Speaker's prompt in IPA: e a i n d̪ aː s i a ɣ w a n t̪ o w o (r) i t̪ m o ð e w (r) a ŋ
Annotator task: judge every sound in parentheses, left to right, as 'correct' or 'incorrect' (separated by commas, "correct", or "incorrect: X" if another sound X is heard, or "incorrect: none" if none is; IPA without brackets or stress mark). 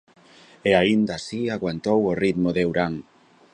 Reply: correct, incorrect: ɾ